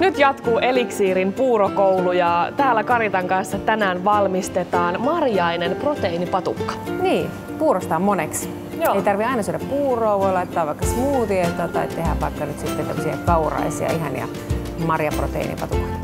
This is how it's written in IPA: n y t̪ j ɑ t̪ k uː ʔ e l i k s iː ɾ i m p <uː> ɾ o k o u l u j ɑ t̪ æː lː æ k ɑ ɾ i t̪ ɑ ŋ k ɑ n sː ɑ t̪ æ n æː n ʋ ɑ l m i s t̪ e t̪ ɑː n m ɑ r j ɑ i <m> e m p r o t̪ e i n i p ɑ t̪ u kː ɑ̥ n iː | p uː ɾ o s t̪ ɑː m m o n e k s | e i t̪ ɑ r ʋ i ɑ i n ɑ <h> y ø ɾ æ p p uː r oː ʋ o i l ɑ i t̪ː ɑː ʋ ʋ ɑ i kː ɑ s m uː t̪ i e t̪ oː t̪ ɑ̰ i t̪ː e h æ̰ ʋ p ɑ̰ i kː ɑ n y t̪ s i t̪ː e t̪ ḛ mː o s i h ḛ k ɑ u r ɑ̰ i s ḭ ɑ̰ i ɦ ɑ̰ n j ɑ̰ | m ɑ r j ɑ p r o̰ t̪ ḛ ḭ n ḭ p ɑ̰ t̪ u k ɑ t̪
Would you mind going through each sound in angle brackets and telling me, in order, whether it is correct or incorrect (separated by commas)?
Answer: correct, incorrect, incorrect